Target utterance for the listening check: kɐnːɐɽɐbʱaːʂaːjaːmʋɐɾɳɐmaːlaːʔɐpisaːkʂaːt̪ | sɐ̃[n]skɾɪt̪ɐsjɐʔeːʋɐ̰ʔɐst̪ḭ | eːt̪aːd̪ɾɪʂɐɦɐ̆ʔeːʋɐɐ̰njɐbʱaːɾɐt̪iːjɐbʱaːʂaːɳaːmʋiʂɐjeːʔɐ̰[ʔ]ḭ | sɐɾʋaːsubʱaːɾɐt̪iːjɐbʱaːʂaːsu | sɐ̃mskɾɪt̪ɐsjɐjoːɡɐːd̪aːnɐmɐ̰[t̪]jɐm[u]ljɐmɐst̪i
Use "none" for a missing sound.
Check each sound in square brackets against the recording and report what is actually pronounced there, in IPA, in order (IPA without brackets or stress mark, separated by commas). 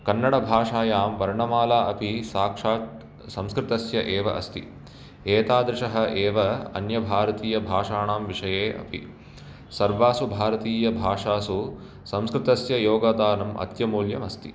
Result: m, p, t̪, uː